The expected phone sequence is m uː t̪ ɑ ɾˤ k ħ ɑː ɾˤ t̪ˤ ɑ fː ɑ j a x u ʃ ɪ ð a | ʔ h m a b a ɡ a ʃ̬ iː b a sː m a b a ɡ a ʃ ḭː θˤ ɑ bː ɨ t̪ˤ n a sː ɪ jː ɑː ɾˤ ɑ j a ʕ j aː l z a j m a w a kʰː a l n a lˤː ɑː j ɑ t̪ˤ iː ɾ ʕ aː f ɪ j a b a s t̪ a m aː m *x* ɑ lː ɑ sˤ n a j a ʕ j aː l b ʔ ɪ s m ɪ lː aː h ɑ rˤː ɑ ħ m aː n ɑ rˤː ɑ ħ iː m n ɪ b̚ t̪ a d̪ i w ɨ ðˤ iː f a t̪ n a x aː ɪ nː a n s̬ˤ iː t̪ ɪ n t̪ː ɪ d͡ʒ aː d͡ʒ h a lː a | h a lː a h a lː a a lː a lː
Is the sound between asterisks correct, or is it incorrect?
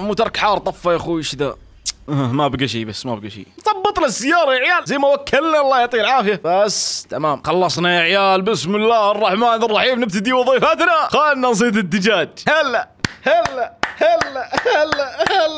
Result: correct